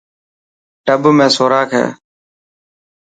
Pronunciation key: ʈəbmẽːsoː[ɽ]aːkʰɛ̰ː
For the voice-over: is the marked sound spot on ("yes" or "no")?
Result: no